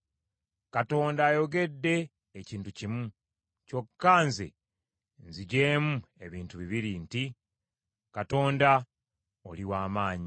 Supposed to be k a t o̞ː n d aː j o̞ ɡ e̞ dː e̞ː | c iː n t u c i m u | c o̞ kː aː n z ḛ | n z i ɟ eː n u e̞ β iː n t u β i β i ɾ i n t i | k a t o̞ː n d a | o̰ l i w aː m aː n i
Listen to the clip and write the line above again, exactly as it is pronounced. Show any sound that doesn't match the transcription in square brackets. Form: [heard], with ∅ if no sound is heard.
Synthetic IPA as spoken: k a t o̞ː n d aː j o̞ ɡ e̞ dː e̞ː | c iː n t u c i m u | c o̞ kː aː n z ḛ | n z i ɟ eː [m] u e̞ β iː n t u β i β i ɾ i n t i | k a t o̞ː n d a | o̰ l i w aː m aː [ɲ] i